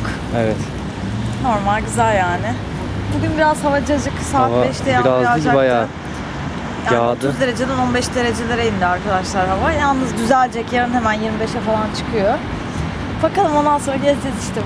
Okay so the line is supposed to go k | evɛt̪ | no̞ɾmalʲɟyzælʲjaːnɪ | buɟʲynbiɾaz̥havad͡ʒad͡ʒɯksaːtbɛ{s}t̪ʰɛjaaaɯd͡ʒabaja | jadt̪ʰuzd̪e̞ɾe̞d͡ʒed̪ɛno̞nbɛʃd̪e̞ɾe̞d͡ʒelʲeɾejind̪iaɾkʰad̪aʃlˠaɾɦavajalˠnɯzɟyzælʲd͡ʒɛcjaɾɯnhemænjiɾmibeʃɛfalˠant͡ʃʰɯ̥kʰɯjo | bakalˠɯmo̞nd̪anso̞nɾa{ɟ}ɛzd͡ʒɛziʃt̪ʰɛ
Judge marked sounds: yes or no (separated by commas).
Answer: no, yes